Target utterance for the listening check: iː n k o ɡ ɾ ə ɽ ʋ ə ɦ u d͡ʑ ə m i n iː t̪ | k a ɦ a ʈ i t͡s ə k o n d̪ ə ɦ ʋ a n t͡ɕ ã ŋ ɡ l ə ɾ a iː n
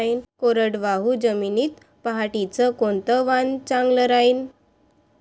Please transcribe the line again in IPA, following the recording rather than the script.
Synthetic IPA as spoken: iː n k o ɾ ə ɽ ʋ a ɦ u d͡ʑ ə m i n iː t̪ | p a ɦ a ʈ i t͡s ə k o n t̪ ə ʋ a n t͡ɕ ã ŋ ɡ l ə ɾ a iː n